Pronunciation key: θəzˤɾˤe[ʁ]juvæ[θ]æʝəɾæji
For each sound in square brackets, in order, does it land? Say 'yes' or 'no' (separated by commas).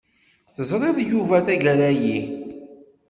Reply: no, yes